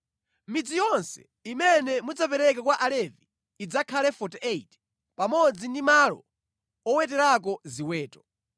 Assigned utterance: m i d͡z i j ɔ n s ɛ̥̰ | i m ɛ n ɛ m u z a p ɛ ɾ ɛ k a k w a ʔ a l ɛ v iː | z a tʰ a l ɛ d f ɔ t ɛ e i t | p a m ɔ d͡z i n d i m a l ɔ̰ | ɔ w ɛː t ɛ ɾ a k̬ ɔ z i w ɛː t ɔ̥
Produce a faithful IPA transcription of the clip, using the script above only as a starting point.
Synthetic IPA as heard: m i d͡z i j ɔ n s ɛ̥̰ | i m ɛ n ɛ m u d͡z a p ɛ ɾ ɛ k a k w a ʔ a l ɛ v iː | d͡z a kʰ a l ɛ f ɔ t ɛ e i t | p a m ɔ d͡z i n d i m a l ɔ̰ | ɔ w ɛ t ɛ ɾ a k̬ ɔ z i w ɛː t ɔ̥